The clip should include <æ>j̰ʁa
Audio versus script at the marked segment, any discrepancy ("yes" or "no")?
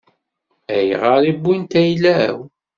no